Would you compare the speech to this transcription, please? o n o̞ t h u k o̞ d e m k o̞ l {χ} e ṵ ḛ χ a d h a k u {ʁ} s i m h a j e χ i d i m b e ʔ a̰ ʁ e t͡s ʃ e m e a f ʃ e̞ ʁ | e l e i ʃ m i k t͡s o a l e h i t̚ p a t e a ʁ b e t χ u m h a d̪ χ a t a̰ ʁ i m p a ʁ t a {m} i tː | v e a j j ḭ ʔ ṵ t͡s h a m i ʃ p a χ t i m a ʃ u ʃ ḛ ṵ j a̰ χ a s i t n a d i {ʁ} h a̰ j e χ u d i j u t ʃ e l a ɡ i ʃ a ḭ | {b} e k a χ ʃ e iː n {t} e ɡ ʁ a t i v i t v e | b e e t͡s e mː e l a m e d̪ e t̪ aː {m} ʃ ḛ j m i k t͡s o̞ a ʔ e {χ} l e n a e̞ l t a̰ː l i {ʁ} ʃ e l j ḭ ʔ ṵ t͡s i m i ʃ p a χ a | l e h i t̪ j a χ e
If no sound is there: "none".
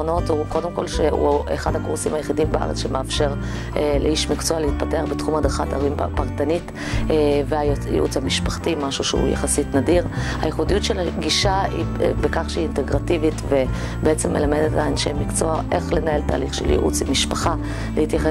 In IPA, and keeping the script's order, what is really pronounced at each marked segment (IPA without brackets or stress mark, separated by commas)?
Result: ʃ, ʁ, n, ʁ, b, t, n, χ, χ